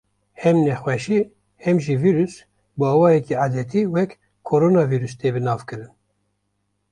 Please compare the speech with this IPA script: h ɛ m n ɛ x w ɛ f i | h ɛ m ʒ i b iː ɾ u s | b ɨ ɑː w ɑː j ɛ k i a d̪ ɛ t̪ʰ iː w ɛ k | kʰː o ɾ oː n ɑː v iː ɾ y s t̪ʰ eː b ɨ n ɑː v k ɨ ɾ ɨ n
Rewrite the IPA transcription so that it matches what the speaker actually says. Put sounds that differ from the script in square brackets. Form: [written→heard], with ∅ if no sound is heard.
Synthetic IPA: h ɛ m n ɛ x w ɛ [f→ʃ] i | h ɛ m ʒ i [b→v] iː ɾ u s | b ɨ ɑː w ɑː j ɛ k i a d̪ ɛ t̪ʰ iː w ɛ k | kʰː o ɾ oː n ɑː v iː ɾ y s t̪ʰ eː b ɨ n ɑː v k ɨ ɾ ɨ n